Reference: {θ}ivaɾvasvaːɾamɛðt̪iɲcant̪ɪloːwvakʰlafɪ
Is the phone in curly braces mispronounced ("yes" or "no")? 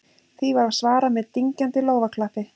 no